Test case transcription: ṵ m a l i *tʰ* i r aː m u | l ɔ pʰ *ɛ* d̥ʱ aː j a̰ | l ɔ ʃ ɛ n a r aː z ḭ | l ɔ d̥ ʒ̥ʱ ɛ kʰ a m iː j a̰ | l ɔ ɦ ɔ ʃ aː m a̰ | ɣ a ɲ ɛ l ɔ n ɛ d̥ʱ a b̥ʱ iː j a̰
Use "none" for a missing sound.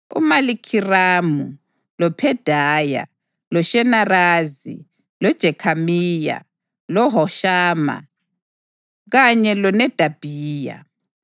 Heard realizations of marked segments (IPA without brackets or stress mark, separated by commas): kʰ, ɛ